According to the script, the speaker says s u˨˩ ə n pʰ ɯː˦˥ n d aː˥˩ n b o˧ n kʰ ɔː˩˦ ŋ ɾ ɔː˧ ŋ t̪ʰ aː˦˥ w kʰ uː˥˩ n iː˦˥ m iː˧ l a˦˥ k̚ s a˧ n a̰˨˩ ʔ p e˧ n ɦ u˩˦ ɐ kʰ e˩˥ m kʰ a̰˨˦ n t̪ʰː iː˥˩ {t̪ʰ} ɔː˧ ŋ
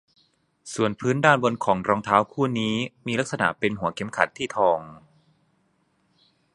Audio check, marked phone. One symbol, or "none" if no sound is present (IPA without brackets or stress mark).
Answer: t̪ʰ